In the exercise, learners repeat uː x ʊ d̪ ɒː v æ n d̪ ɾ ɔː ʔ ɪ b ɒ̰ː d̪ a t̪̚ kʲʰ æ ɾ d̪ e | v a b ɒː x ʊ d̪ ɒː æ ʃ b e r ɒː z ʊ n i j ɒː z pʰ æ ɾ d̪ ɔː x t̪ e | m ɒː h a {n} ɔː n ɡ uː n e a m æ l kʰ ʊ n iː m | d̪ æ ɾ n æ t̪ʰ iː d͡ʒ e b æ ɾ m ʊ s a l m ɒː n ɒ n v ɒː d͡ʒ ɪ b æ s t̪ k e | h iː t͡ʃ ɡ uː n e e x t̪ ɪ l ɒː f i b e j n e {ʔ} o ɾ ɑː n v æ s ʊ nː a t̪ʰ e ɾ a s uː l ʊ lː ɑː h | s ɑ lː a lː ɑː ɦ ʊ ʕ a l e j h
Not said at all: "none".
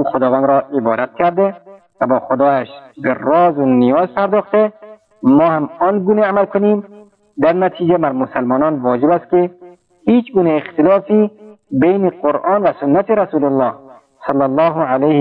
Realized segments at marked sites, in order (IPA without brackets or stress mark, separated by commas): m, q